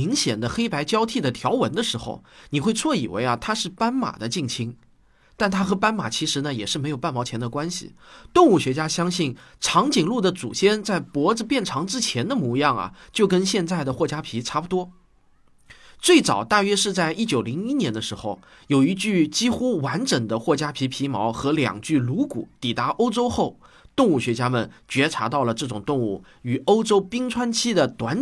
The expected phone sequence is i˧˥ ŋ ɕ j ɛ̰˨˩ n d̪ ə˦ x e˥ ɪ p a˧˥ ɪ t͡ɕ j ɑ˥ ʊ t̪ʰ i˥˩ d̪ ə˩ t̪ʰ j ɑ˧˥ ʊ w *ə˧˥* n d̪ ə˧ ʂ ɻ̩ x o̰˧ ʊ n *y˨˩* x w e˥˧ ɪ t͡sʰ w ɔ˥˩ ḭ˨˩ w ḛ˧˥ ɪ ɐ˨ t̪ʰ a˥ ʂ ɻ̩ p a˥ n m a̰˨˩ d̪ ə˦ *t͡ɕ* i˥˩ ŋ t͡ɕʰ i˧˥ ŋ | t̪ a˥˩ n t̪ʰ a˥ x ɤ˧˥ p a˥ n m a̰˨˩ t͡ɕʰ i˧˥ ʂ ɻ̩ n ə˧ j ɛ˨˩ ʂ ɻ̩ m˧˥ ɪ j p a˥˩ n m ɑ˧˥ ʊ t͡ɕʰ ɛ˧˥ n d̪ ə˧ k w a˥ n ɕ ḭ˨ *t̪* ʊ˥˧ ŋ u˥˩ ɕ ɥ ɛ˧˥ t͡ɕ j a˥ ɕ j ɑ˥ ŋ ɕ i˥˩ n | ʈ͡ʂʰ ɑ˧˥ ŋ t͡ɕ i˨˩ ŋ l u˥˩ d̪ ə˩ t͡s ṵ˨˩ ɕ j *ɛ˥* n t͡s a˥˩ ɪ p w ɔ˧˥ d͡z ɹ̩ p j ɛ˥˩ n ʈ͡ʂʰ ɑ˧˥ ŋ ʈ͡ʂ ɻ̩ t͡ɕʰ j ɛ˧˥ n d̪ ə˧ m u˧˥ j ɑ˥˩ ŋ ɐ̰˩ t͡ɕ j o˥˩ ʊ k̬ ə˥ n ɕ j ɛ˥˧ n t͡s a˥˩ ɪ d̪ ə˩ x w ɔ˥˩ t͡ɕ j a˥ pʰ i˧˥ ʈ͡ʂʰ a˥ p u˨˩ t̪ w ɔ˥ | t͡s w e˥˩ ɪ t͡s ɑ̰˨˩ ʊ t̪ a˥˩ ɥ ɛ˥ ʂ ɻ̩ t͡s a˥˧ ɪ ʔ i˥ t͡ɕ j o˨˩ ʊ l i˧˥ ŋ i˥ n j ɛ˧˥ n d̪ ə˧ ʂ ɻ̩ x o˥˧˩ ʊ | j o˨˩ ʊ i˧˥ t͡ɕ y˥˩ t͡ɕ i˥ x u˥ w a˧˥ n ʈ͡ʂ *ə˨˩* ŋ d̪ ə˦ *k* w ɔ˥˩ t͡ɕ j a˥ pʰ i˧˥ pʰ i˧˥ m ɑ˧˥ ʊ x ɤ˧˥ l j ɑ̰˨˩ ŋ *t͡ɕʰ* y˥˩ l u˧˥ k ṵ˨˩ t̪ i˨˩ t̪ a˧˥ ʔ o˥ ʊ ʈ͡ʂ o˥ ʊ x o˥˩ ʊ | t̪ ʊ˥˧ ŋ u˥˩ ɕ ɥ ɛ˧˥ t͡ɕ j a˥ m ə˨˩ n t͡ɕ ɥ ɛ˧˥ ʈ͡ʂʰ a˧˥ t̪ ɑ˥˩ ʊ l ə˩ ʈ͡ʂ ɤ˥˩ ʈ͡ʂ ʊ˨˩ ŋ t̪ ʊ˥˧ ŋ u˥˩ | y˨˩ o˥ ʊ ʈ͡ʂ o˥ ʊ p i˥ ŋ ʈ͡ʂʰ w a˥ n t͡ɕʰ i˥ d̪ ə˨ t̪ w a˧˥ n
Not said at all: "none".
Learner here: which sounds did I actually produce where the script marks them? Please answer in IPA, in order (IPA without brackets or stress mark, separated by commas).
ə˧˥, i˨˩, t͡ɕ, t̪, ɛ˥, ə˨˩, x, t͡ɕ